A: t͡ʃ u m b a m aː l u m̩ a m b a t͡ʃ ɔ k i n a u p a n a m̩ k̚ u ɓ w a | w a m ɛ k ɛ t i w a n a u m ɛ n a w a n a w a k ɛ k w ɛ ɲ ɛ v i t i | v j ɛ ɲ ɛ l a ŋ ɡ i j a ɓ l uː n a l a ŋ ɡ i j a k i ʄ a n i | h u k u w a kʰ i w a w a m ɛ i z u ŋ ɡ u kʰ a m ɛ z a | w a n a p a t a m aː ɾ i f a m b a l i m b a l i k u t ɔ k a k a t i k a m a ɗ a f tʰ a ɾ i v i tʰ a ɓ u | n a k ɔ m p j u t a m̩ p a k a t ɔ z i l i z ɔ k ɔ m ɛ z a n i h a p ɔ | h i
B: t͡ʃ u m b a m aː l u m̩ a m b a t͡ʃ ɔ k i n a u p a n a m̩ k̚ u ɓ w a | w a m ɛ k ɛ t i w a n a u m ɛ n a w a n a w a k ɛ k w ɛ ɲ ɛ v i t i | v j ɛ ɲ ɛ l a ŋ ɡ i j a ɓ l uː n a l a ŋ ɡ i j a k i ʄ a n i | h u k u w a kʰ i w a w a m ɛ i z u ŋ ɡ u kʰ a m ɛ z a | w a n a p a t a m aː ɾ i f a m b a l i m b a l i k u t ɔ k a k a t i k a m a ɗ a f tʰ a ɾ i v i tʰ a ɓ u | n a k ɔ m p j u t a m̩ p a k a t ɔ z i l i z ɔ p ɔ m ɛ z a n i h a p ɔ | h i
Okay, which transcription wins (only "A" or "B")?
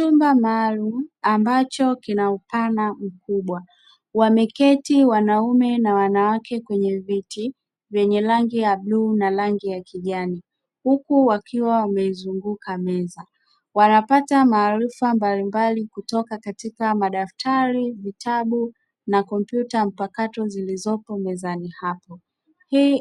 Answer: B